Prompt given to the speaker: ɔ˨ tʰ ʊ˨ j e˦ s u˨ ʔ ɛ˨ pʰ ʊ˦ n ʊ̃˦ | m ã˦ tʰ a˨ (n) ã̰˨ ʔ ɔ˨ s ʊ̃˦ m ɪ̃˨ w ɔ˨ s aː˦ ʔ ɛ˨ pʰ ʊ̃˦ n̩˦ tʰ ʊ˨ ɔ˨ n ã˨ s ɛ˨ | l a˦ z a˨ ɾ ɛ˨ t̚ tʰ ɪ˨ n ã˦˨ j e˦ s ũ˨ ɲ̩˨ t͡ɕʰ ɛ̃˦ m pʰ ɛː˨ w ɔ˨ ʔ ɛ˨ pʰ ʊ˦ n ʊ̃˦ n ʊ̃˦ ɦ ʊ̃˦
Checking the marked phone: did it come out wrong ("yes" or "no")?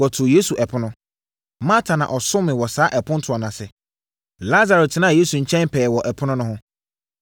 no